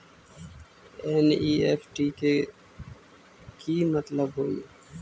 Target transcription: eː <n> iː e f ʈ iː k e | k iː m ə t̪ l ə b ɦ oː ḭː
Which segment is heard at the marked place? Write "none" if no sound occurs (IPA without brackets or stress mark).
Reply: n